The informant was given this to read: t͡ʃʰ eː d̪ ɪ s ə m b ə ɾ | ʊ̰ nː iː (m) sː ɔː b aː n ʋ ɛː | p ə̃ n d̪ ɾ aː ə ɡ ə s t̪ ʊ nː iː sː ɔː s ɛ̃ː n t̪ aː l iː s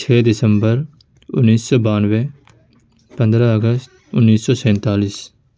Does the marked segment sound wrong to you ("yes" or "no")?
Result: yes